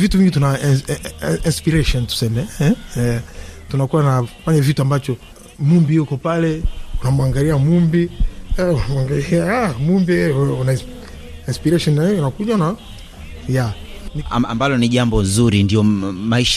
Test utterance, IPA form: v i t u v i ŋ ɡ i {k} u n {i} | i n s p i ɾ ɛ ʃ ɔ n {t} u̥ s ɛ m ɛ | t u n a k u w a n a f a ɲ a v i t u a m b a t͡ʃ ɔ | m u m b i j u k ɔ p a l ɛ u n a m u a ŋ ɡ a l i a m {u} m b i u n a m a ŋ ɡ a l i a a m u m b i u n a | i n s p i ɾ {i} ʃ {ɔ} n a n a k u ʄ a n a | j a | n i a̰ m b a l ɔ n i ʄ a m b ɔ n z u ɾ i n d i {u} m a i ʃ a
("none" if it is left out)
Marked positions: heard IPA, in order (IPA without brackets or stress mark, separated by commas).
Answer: t, a, t, u, ɛ, ɔ, ɔ